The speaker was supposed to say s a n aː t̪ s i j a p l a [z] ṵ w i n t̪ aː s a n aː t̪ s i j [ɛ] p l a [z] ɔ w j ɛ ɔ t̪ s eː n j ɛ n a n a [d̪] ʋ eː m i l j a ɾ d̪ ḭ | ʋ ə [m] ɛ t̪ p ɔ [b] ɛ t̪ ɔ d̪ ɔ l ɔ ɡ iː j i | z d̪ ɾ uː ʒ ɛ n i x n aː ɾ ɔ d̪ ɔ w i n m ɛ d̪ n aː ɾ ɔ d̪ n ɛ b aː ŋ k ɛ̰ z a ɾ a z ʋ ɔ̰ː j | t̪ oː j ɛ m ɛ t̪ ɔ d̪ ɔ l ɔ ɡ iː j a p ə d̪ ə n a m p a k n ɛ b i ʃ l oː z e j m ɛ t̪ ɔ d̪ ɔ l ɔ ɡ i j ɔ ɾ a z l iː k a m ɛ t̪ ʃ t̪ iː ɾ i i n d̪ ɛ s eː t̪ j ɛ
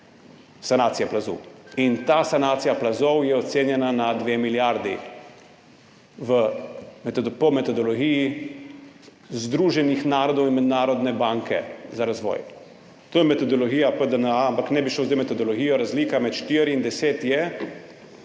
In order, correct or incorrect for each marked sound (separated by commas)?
correct, incorrect, correct, correct, correct, incorrect